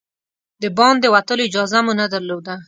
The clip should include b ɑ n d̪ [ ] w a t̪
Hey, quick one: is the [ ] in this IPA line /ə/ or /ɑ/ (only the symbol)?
ə